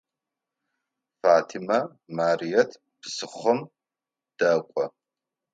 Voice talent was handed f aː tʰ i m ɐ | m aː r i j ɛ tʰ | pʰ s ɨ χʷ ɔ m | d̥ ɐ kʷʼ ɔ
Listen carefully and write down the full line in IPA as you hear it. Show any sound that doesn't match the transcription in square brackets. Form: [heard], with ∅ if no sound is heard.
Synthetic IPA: f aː tʰ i m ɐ | m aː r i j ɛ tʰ | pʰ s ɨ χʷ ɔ m | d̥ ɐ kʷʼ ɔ